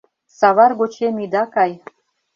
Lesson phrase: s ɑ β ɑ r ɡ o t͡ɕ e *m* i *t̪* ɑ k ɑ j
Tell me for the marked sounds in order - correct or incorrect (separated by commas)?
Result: correct, incorrect